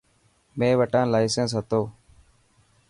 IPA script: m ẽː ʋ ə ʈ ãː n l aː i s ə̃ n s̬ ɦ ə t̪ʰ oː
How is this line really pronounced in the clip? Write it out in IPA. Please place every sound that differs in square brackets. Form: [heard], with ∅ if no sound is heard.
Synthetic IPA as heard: m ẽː ʋ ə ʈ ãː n l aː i s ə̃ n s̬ ɦ ə [t̪] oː